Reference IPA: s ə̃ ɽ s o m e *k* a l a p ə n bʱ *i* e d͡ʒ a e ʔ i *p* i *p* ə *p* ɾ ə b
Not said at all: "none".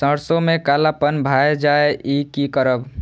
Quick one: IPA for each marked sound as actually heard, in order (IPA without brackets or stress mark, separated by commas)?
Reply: k, a, k, k, none